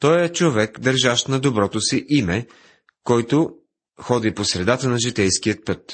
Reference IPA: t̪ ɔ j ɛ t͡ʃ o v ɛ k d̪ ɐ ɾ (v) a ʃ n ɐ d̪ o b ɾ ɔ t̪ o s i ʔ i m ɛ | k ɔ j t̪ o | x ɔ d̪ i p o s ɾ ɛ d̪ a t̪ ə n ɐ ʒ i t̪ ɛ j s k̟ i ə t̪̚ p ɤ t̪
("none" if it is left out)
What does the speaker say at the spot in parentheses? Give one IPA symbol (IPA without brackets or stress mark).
ʒ